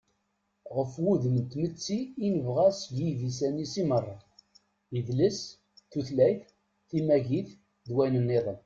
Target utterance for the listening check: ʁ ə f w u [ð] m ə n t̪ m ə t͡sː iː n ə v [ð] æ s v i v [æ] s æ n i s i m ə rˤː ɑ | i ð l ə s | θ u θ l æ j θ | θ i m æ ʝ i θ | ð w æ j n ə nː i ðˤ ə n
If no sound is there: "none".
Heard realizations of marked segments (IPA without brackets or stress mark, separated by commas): ð, ʁ, i